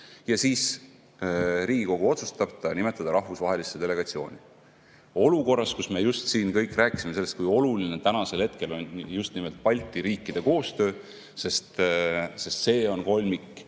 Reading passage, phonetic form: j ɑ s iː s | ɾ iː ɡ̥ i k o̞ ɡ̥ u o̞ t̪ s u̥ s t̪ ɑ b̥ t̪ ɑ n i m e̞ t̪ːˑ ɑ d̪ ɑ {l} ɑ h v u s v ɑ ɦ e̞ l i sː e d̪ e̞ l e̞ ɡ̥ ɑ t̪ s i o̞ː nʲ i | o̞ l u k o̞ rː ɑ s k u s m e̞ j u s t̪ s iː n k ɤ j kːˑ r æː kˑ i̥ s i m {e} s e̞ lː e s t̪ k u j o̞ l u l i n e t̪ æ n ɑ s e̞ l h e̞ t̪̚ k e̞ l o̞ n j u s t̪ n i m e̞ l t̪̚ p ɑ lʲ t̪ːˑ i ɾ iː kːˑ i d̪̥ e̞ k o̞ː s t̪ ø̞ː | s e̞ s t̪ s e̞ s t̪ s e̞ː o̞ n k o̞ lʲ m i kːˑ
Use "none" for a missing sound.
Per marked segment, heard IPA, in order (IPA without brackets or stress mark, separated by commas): ɾ, e